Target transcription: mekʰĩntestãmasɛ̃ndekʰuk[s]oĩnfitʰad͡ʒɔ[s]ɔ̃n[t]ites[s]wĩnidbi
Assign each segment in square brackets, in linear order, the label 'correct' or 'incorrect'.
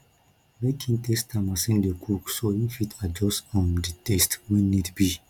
correct, correct, incorrect, incorrect

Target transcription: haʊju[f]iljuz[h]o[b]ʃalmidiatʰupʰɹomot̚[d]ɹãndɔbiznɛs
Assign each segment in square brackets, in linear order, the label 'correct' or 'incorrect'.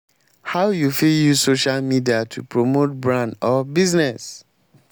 correct, incorrect, incorrect, incorrect

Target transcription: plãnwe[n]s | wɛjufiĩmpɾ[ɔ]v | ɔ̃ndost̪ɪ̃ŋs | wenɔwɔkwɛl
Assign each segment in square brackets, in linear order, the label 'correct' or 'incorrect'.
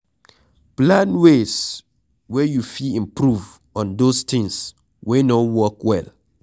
incorrect, incorrect

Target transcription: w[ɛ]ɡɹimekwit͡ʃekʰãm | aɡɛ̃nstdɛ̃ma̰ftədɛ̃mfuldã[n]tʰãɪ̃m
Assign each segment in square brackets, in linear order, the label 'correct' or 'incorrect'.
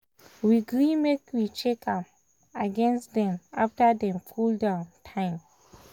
incorrect, correct

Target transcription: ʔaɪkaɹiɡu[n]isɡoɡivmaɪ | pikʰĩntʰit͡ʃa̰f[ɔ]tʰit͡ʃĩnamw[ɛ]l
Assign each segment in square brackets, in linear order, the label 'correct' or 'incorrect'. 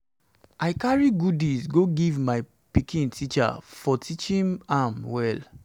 incorrect, correct, correct

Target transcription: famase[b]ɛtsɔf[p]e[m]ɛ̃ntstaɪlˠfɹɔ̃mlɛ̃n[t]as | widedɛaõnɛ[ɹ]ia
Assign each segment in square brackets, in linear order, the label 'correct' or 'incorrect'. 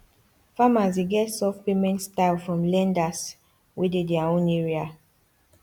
incorrect, correct, correct, incorrect, correct

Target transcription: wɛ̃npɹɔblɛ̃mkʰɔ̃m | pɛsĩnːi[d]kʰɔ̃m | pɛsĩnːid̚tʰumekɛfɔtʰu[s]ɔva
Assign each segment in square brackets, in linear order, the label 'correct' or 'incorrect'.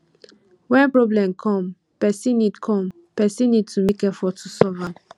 correct, correct

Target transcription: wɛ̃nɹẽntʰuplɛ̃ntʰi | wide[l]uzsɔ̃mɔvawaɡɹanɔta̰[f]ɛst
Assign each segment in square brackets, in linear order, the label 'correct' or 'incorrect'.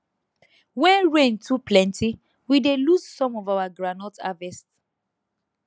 correct, incorrect

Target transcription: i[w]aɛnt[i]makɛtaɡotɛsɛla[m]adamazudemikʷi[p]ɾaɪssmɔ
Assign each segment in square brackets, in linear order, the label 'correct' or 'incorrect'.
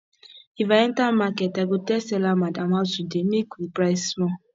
incorrect, incorrect, correct, correct

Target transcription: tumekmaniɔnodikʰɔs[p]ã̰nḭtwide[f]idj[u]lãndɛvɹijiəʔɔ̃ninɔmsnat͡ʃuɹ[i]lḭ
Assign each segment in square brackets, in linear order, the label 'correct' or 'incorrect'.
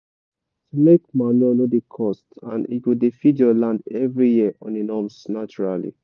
incorrect, correct, incorrect, incorrect

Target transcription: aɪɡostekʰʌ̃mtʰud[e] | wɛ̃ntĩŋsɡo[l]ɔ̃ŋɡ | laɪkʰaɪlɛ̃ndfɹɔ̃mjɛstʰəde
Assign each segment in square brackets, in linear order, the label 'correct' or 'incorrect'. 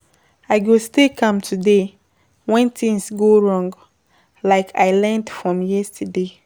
correct, incorrect

